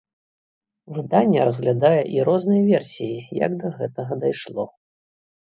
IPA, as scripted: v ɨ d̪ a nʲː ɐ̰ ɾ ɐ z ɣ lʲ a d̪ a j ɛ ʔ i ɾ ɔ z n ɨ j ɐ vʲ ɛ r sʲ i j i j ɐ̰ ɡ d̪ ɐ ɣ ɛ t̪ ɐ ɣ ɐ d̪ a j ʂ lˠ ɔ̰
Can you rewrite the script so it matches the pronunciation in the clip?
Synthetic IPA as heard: v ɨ d̪ a nʲː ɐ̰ ɾ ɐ z ɣ lʲ a d̪ a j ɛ ʔ i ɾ ɔ z n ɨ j ɐ vʲ ɛ r sʲ i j i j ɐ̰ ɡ d̪ ɐ ɣ ɛ t̪ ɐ ɣ ɐ d̪ a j ʂ lˠ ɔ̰

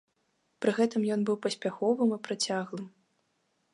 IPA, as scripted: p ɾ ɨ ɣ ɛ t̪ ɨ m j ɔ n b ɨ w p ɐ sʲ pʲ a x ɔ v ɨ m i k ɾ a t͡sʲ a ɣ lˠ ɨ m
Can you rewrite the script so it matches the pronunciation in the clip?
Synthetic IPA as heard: p ɾ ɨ ɣ ɛ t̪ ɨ m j ɔ n b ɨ w p ɐ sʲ pʲ a x ɔ v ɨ m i p ɾ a t͡sʲ a ɣ lˠ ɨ m

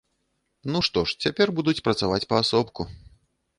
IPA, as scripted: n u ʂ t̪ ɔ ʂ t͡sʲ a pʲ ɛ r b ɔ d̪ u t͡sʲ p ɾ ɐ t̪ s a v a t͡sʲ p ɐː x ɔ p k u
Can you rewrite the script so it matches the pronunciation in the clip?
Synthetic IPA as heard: n u ʂ t̪ ɔ ʂ t͡sʲ a pʲ ɛ r b u d̪ u t͡sʲ p ɾ ɐ t̪ s a v a t͡sʲ p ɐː s ɔ p k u

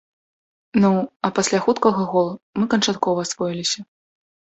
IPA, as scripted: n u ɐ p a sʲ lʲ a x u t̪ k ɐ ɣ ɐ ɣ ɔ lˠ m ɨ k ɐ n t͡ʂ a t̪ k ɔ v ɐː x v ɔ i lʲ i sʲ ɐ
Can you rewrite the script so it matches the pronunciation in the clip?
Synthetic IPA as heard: n u ɐ p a sʲ lʲ a x u t̪ k ɐ ɣ ɐ ɣ ɔ lˠ m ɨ k ɐ n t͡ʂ a t̪ k ɔ v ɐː s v ɔ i lʲ i sʲ ɐ

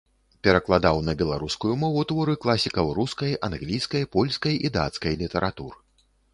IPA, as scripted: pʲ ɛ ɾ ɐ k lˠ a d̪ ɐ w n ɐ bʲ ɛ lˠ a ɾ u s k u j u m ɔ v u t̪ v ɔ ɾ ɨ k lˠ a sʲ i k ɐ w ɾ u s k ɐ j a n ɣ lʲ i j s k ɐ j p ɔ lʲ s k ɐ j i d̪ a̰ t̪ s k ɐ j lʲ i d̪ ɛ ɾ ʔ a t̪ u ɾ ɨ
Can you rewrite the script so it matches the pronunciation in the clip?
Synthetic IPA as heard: pʲ ɛ ɾ ɐ k lˠ a d̪ a w n ɐ bʲ ɛ lˠ a ɾ u s k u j u m ɔ v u t̪ v ɔ ɾ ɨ k lˠ a sʲ i k ɐ w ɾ u s k ɐ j a n ɣ lʲ i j s k ɐ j p ɔ lʲ s k ɐ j i d̪ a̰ t̪ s k ɐ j lʲ i t̪ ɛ ɾ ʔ a t̪ u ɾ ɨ

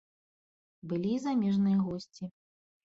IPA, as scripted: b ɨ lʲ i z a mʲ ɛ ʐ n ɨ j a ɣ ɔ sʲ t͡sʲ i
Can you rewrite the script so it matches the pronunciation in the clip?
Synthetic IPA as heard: b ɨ lʲ i z a mʲ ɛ ʐ n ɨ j ɐ ɣ ɔ sʲ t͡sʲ i

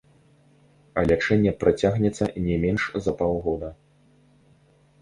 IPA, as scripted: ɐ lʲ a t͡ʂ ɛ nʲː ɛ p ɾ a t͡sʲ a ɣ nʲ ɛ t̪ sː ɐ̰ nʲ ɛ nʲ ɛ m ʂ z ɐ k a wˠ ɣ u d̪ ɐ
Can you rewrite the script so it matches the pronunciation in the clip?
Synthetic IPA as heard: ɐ lʲ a t͡ʂ ɛ nʲː ɛ p ɾ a t͡sʲ a ɣ nʲ ɛ t̪ sː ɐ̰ nʲ ɛ mʲ ɛ n ʂ z ɐ p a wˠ ɣ ɔ d̪ ɐ

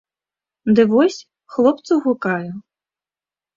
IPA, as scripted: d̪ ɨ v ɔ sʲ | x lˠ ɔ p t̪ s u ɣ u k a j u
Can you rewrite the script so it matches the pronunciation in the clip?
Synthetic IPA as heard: d̪ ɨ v ɔ sʲ | x lˠ ɔ p t̪ s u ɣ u k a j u

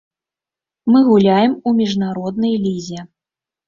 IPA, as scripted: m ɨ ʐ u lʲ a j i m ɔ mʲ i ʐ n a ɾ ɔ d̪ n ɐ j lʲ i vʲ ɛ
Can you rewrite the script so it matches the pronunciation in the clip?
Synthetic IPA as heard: m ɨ ɣ u lʲ a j ɛ m u mʲ i ʐ n a ɾ ɔ d̪ n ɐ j lʲ i zʲ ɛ

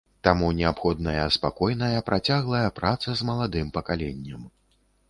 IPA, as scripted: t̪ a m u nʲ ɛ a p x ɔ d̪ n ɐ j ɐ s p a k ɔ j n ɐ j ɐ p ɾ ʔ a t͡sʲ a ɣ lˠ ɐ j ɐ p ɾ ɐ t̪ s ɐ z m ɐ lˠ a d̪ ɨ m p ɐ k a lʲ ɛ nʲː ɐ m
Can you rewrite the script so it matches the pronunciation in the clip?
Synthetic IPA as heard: t̪ a m u nʲ ɛ a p x ɔ d̪ n ɐ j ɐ s p a k ɔ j n ɐ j ɐ p ɾ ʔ a t͡sʲ a ɣ lˠ ɐ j ɐ p ɾ a t̪ s ɐ z m ɐ lˠ a d̪ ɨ m p ɐ k a lʲ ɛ nʲː ɐ m

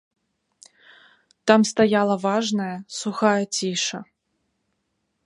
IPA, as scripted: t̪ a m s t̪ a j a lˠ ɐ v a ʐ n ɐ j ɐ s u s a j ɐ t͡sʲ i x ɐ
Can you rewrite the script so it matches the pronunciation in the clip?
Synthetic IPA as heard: t̪ a m s t̪ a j a lˠ ɐ v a ʐ n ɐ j ɐ s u x a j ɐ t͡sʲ i ʂ ɐ

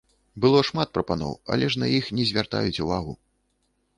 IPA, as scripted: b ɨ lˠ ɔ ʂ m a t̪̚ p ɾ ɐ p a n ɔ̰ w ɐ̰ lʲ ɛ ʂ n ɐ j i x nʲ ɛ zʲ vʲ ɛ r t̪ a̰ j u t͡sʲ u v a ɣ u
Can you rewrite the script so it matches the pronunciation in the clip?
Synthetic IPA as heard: b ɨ lˠ ɔ ʂ m a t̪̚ p ɾ ɐ p a n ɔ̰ w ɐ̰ lʲ ɛ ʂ n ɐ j i x nʲ ɛ zʲ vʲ a r t̪ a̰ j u t͡sʲ u v a ɣ u

